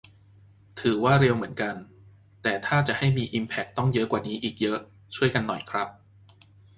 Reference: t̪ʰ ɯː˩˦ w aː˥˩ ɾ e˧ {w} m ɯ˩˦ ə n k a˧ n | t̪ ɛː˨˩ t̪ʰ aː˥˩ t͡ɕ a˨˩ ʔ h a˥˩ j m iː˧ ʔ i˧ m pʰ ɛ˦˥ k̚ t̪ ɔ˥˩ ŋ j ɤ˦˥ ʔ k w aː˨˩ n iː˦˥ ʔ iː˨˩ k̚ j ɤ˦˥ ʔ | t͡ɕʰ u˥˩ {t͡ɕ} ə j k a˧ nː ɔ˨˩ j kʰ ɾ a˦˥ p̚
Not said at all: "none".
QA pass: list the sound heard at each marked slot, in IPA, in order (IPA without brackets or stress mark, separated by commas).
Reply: w, none